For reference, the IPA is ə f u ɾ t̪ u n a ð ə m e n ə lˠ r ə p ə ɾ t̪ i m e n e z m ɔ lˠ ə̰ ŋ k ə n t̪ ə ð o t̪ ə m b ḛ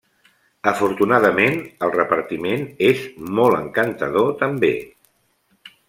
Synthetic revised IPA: ə f u ɾ t̪ u n a ð ə m e n ə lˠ r ə p ə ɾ t̪ i m e n e z m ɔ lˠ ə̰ ŋ k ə n t̪ ə ð o t̪ ə m b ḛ